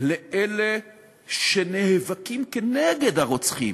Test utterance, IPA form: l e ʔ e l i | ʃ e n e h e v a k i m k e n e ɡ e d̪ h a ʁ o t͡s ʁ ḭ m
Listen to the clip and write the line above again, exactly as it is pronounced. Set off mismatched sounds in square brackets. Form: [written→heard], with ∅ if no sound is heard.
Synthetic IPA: l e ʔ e l [i→e] | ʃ e n e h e v a k i m k e n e ɡ e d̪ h a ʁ o t͡s [ʁ→χ] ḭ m